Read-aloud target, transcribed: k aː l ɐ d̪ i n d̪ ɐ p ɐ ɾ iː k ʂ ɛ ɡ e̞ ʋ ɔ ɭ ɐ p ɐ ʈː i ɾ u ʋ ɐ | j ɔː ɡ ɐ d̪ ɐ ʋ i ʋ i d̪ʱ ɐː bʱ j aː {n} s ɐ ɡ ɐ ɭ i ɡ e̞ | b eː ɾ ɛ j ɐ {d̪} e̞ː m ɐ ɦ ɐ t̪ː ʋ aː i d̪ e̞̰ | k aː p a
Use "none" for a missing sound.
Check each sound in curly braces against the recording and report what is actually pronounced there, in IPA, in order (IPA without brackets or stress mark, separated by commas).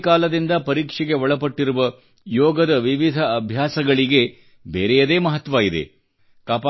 none, d̪